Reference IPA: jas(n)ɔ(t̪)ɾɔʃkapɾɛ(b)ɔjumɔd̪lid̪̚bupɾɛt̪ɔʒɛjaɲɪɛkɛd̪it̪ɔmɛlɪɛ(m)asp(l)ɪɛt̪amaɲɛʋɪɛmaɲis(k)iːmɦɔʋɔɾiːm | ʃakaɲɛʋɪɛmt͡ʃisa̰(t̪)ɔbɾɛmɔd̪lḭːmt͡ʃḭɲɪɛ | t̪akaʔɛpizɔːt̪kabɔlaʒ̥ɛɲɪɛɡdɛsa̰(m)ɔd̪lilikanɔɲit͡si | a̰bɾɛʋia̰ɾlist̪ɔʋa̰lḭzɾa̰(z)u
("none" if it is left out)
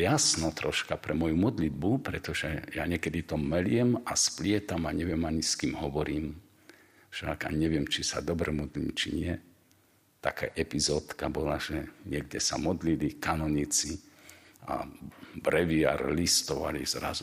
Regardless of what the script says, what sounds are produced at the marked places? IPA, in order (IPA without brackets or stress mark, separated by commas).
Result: n, t̪, m, m, l, k, d̪, m, z